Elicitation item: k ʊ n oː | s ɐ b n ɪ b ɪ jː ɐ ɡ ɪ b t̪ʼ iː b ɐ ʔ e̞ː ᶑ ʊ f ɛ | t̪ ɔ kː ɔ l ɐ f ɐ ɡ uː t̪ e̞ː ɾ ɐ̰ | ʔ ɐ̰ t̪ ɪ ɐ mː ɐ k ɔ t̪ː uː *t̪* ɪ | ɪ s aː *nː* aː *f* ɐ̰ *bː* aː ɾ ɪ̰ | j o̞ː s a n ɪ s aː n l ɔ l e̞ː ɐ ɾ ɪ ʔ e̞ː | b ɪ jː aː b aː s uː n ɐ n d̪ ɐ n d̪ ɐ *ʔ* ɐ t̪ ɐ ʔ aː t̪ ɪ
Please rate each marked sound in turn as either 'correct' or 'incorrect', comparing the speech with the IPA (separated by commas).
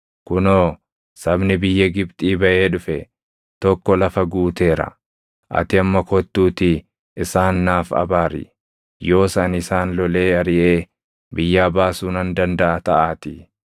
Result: correct, correct, correct, incorrect, correct